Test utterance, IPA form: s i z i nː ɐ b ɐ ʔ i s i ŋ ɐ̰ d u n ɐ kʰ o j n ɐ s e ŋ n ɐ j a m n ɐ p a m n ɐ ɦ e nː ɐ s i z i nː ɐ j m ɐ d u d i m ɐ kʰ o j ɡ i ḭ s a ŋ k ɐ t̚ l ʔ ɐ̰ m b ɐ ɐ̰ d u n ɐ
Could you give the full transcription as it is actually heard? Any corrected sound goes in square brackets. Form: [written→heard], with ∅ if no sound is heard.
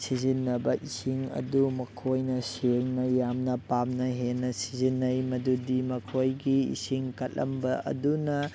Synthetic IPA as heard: s i z i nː ɐ b ɐ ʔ i s i ŋ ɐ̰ d u [n→m] ɐ kʰ o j n ɐ s e ŋ n ɐ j a m n ɐ p a m n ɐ ɦ e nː ɐ s i z i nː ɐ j m ɐ d u d i m ɐ kʰ o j ɡ i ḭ s [a→i] ŋ k ɐ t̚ l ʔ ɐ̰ m b ɐ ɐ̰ d u n ɐ

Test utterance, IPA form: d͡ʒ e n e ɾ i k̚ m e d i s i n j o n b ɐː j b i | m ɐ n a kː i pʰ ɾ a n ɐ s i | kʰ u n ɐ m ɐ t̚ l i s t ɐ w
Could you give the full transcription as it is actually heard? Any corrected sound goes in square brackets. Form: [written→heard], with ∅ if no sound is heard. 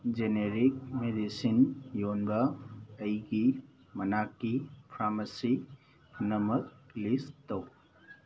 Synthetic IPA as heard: d͡ʒ e n e ɾ i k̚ m e d i s i n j o n b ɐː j [b→ɡ] i | m ɐ n a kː i pʰ ɾ a [n→m] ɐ s i | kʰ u n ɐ m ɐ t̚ l i s t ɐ w

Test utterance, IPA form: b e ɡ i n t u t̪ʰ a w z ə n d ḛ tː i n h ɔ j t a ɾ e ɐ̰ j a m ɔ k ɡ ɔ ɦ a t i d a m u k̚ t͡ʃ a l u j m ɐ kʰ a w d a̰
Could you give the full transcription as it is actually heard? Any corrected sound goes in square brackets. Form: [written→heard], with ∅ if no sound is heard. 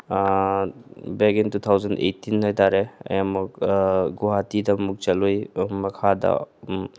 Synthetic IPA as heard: b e ɡ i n t u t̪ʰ a w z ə n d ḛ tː i n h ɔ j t a ɾ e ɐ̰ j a m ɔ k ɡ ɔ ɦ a t i d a m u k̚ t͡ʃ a l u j m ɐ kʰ a [w→∅] d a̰

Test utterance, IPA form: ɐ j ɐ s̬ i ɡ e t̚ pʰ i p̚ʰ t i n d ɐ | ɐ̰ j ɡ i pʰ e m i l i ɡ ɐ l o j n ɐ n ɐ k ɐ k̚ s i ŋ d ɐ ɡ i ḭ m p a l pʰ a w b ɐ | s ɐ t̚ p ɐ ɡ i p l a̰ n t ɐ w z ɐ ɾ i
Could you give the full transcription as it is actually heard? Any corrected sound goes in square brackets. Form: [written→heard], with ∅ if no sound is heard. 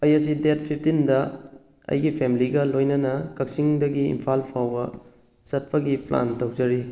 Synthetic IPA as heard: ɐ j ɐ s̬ i [ɡ→d] e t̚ pʰ i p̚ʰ t i n d ɐ | ɐ̰ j ɡ i pʰ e m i l i ɡ ɐ l o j n ɐ n ɐ k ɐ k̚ s i ŋ d ɐ ɡ i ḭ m [p→pʰ] a l pʰ a w b ɐ | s ɐ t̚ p ɐ ɡ i p l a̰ n t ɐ w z ɐ ɾ i

